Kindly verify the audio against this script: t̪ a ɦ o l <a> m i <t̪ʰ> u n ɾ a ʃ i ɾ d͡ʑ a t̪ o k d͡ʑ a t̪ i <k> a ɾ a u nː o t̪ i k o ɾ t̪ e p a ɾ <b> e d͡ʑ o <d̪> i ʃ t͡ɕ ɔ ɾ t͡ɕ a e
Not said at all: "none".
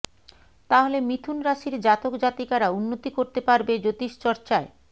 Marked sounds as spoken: e, t̪ʰ, k, b, t̪

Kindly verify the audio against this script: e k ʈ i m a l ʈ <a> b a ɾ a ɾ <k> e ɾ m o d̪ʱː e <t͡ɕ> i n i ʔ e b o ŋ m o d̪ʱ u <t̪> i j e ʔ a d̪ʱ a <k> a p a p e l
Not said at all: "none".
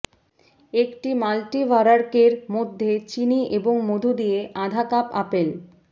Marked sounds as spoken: i, k, t͡ɕ, d̪, k

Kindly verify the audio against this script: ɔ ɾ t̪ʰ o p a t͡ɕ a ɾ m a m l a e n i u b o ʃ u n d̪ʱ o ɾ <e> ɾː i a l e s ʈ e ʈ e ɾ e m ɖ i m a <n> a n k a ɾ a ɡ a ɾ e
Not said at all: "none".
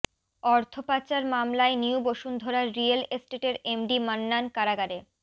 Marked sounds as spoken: a, nː

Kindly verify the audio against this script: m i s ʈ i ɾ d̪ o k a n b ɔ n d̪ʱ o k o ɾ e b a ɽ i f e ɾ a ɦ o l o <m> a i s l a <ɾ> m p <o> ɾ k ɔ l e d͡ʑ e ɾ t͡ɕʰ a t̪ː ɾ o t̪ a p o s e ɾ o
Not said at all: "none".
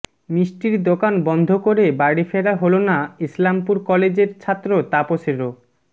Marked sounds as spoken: n, none, u

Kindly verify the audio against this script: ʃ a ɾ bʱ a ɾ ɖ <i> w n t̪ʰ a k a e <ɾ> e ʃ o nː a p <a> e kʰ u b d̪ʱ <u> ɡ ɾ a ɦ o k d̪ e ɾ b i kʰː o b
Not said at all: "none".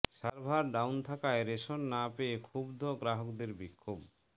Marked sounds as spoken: a, ɾ, e, o

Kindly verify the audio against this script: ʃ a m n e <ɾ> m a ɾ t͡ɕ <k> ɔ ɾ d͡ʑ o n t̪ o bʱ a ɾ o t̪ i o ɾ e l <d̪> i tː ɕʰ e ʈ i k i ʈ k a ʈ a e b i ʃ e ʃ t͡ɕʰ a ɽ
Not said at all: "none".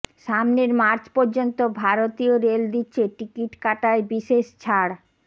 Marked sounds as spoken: ɾ, p, d̪

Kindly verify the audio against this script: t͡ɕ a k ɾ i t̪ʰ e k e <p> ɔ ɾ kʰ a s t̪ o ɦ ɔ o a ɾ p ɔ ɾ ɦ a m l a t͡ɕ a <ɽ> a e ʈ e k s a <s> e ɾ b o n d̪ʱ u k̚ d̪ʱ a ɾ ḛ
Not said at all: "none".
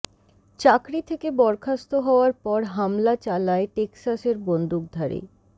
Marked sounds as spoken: b, l, s

